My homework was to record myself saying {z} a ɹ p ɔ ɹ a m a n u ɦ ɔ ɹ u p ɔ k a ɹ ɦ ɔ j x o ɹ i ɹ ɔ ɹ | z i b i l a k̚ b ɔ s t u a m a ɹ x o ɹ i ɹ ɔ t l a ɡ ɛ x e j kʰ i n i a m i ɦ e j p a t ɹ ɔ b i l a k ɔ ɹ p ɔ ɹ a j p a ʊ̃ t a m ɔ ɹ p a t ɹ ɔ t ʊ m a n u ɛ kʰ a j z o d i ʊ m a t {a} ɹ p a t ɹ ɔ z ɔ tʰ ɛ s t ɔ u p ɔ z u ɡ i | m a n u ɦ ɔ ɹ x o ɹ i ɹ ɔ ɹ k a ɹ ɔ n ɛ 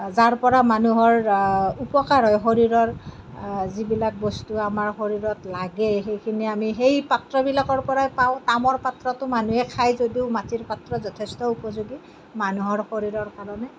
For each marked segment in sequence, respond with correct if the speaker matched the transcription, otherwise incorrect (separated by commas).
correct, incorrect